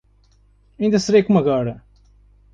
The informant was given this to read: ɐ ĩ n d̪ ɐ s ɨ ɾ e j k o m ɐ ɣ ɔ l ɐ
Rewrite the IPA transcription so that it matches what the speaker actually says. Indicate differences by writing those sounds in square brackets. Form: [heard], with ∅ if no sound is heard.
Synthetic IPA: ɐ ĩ n d̪ ɐ s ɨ ɾ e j k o m ɐ ɣ ɔ [ɾ] ɐ

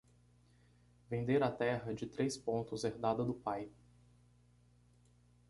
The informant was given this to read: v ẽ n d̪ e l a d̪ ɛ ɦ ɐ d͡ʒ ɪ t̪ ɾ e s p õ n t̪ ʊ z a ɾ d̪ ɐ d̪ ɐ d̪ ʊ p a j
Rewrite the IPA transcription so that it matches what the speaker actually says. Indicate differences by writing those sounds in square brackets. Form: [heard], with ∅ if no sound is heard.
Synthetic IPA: v ẽ n d̪ e [ɾ] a [t̪] ɛ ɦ ɐ d͡ʒ ɪ t̪ ɾ e s p õ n t̪ ʊ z [e] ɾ d̪ [a] d̪ ɐ d̪ ʊ p a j

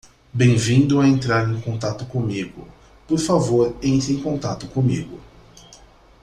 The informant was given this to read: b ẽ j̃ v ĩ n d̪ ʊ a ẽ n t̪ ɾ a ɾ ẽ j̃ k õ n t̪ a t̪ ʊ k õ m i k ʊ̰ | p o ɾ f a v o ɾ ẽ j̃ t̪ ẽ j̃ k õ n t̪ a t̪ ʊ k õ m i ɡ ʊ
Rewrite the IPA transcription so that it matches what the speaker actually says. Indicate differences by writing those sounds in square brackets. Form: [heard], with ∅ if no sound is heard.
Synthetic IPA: b ẽ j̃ v ĩ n d̪ ʊ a ẽ n t̪ ɾ a ɾ ẽ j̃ k õ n t̪ a t̪ ʊ k õ m i [ɡ] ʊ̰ | p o ɾ f a v o ɾ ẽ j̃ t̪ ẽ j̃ k õ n t̪ a t̪ ʊ k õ m i ɡ ʊ

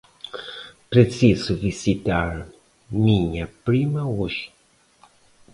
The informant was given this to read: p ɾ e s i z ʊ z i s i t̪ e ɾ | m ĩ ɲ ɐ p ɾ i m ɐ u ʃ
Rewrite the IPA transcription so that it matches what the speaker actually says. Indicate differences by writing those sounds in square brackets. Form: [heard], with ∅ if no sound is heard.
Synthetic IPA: p ɾ e s i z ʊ [v] i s i t̪ [a] ɾ | m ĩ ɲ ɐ p ɾ i m ɐ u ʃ

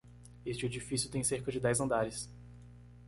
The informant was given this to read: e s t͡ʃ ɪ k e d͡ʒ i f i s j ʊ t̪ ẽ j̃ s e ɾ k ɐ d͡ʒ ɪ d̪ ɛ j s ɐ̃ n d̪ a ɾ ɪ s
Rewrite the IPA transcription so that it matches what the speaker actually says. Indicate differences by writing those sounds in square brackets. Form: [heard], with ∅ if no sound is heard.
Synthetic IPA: e s t͡ʃ ɪ [∅] e d͡ʒ i f i s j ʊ t̪ ẽ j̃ s e ɾ k ɐ d͡ʒ ɪ d̪ ɛ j [z] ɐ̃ n d̪ a ɾ ɪ s

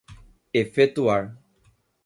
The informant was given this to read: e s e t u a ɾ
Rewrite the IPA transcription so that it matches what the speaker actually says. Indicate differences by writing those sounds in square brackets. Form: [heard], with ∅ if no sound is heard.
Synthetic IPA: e [f] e t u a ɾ

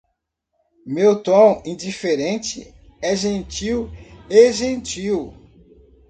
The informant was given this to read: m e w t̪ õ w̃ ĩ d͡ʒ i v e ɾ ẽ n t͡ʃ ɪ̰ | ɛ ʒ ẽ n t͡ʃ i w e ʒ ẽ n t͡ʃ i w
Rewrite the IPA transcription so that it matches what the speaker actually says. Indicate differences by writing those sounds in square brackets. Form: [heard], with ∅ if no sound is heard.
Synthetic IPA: m e w t̪ õ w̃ ĩ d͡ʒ i [f] e ɾ ẽ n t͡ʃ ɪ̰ | ɛ ʒ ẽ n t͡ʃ i w e ʒ ẽ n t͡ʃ i w

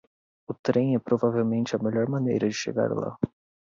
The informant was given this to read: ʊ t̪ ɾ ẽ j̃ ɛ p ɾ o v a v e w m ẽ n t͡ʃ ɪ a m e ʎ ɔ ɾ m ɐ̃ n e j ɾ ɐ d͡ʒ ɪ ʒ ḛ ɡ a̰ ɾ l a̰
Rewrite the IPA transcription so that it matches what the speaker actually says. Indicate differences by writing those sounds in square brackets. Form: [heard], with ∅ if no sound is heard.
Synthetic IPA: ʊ t̪ ɾ ẽ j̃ ɛ p ɾ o v a v e w m ẽ n t͡ʃ ɪ [ɐ] m e ʎ ɔ ɾ m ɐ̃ n e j ɾ ɐ d͡ʒ ɪ [ʃ] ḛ ɡ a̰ ɾ l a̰

